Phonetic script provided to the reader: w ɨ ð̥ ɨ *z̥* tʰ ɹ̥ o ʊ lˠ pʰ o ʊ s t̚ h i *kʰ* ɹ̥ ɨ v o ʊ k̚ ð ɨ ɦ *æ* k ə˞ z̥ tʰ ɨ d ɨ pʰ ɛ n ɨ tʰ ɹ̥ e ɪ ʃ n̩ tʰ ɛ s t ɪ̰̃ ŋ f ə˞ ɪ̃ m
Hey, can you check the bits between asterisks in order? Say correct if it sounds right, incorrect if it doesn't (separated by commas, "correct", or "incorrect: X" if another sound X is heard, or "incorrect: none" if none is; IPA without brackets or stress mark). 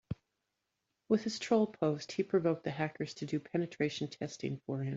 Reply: correct, incorrect: pʰ, correct